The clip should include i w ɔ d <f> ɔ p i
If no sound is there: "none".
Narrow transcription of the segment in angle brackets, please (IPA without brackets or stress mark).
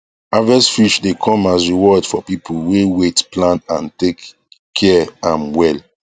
f